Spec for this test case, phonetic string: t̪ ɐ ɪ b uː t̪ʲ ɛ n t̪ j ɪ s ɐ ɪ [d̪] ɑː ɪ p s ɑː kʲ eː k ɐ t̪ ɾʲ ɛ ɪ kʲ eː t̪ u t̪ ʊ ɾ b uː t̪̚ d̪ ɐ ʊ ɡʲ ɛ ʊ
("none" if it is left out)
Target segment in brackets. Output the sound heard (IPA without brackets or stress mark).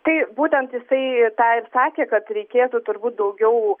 t̪